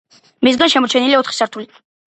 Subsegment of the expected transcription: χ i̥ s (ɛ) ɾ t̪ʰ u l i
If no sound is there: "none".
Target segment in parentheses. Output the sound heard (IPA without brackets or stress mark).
a